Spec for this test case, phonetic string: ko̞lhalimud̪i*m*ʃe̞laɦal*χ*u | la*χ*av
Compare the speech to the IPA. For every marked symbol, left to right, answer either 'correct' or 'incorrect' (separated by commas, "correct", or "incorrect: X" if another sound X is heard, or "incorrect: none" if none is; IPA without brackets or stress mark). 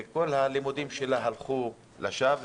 correct, correct, incorrect: ʃ